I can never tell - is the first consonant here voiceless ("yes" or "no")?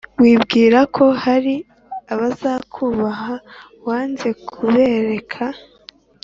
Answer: no